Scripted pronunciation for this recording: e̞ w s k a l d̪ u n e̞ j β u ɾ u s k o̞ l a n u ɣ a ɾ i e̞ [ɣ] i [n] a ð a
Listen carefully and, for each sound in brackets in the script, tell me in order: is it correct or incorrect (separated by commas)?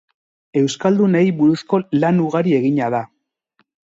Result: correct, incorrect